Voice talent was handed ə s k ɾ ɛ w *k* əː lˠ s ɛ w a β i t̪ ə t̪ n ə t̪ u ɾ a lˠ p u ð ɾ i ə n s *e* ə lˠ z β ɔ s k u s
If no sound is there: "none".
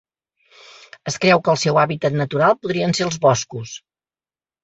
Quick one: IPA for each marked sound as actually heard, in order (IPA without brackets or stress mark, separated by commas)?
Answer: k, e